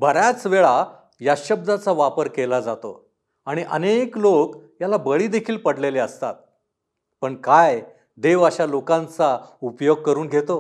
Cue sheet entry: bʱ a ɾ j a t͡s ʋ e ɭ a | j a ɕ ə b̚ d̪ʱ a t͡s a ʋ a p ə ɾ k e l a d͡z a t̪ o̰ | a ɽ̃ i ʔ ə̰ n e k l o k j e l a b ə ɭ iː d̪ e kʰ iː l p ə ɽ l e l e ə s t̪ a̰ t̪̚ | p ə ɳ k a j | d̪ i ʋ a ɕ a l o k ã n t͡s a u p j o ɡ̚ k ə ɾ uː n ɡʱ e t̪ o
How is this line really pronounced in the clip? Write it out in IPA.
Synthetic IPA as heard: bʱ ə ɾ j a t͡s ʋ e ɭ a | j a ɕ ə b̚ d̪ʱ a t͡s a ʋ a p ə ɾ k e l a d͡z a t̪ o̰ | a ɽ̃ i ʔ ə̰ n e k l o k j a l a b ə ɭ iː d̪ e kʰ iː l p ə ɽ l e l e ə s t̪ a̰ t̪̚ | p ə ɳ k a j | d̪ e ʋ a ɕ a l o k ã n t͡s a u p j o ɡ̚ k ə ɾ uː n ɡʱ e t̪ o